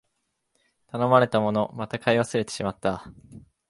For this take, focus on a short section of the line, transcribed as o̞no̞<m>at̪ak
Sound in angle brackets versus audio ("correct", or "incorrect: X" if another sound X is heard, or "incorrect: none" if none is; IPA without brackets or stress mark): correct